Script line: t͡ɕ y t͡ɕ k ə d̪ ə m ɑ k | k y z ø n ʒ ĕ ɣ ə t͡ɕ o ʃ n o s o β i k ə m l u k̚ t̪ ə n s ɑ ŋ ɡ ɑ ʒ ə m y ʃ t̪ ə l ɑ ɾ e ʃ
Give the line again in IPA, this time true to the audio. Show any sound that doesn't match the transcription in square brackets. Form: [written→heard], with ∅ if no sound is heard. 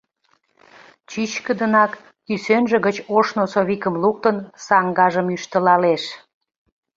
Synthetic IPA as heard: t͡ɕ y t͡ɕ k ə d̪ ə [m→n] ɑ k | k y [z→s] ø n ʒ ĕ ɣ ə t͡ɕ o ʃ n o s o β i k ə m l u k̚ t̪ ə n s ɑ ŋ ɡ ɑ ʒ ə m y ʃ t̪ ə l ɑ [ɾ→l] e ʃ